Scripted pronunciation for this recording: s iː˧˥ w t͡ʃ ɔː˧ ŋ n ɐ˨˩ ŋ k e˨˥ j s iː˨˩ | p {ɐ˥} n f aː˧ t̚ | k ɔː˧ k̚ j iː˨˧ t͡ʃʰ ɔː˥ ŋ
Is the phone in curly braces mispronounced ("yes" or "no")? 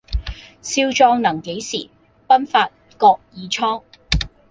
no